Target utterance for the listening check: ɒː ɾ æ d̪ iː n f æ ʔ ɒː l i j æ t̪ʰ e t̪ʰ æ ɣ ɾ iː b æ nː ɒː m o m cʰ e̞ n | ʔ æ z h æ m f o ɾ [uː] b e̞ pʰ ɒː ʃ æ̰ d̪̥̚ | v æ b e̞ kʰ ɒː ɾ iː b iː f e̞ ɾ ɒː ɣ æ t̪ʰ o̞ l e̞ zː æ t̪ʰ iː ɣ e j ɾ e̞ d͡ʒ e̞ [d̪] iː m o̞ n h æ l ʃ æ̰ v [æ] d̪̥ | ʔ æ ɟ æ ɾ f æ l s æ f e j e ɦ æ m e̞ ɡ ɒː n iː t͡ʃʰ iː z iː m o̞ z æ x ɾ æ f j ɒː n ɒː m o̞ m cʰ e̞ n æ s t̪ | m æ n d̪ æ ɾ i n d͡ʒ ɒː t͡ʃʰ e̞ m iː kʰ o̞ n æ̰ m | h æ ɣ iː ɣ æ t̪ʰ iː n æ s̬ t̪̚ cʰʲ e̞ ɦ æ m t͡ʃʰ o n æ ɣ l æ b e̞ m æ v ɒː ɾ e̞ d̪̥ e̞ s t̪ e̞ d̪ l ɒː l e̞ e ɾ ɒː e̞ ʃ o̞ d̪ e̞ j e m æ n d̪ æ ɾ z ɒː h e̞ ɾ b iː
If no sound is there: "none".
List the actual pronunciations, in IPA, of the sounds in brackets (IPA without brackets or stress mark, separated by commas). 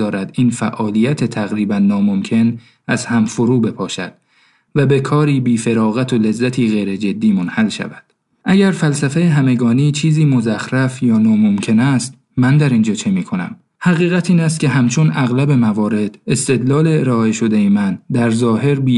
uː, d̪ː, æ